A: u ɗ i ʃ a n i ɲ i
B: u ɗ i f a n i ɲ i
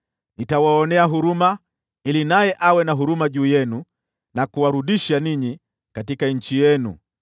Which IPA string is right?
A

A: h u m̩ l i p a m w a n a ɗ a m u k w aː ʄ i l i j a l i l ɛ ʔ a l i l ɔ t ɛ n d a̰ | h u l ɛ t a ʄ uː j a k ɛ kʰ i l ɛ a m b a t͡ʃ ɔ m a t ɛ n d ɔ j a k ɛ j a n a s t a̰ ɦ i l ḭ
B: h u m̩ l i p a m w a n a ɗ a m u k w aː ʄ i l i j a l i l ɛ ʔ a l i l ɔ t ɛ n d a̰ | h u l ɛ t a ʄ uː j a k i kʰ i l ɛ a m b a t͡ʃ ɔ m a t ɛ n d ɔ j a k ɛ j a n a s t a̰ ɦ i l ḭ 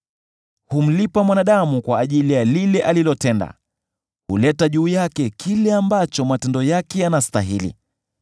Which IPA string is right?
A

